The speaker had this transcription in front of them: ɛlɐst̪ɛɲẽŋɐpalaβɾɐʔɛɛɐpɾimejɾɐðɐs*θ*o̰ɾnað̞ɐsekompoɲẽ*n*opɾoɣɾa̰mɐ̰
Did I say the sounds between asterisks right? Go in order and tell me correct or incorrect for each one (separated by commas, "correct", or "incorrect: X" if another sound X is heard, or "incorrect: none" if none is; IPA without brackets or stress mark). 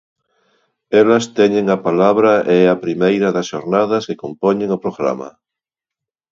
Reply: incorrect: ʃ, incorrect: ŋ